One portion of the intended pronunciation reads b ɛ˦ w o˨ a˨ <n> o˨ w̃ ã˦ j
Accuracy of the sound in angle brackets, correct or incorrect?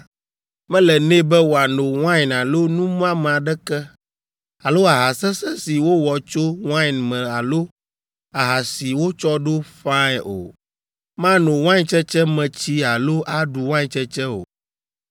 correct